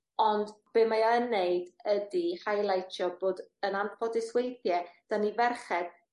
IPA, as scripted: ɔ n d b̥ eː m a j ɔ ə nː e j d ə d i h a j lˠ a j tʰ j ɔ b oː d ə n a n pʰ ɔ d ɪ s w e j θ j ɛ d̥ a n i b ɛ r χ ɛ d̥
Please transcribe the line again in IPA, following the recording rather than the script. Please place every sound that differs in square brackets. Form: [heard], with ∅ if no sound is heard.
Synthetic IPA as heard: ɔ n d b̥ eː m a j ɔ ə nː e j d ə d i h a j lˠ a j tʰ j ɔ b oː d ə n a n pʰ ɔ d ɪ s w e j θ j ɛ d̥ a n i [v] ɛ r χ ɛ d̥